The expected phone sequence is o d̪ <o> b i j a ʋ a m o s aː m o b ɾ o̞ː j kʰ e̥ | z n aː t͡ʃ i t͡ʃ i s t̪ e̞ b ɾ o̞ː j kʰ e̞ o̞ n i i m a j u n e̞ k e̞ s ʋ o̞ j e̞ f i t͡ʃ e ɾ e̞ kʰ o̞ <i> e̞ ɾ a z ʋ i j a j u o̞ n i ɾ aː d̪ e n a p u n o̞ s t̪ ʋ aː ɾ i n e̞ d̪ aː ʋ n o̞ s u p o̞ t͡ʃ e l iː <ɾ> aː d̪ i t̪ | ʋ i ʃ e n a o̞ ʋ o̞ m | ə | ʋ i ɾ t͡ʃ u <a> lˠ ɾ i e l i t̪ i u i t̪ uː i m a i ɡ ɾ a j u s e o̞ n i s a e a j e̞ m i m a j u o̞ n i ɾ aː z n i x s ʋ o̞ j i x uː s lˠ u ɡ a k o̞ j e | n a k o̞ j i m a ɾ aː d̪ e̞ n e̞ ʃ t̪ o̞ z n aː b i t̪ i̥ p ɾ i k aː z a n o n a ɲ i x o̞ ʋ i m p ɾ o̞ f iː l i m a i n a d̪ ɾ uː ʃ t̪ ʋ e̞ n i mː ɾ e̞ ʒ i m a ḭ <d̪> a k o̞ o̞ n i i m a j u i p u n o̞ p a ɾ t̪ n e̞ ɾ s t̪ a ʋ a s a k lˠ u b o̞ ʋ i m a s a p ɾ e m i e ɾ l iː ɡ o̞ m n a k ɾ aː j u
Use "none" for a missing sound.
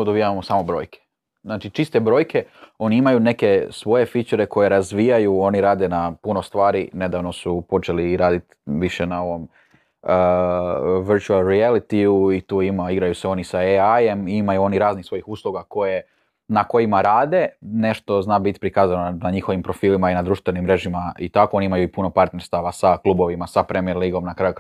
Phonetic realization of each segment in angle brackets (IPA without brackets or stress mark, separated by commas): o, j, ɾ, a, t̪